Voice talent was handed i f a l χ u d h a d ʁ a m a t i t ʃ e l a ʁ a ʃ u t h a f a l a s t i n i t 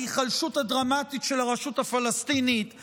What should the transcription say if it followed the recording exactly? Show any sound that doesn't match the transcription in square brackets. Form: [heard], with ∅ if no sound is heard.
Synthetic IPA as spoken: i [χ] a l [ʃ] u [t] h a d ʁ a m a t i t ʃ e l a ʁ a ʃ u t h a f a l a s t i n i t